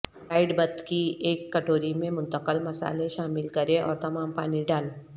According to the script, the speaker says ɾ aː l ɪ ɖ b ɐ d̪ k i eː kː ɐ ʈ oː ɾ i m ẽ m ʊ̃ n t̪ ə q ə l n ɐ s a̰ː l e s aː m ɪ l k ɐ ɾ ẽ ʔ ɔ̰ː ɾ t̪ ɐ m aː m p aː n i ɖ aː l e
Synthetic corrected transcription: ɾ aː ɪ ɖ b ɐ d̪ k i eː kː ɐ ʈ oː ɾ i m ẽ m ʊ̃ n t̪ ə q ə l m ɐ s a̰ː l e ʃ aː m ɪ l k ɐ ɾ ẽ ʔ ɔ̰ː ɾ t̪ ɐ m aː m p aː n i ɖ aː l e